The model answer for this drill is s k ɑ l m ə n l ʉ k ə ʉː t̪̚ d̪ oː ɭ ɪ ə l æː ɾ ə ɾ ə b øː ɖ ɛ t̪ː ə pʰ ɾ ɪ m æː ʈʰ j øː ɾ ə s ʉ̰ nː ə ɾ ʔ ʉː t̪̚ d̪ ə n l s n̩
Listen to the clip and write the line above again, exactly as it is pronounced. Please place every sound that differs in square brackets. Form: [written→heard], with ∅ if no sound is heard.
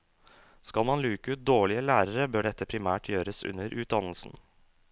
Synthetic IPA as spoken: s k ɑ l m [ə→ɑ] n l [ʉ→ʉː] k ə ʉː t̪̚ d̪ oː ɭ ɪ ə l æː ɾ ə ɾ ə b øː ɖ ɛ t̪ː ə pʰ ɾ ɪ m æː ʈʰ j øː ɾ ə s ʉ̰ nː ə ɾ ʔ ʉː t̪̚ d̪ [ə→ɑ] n l s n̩